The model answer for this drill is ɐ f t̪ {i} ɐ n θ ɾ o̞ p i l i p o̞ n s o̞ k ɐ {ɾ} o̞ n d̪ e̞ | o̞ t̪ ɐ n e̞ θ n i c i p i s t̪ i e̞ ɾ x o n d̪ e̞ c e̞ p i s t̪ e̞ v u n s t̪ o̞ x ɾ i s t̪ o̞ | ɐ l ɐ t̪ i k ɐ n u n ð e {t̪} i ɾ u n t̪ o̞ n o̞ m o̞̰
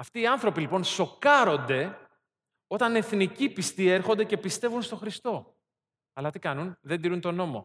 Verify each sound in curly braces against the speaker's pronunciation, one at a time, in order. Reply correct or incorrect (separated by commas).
incorrect, correct, incorrect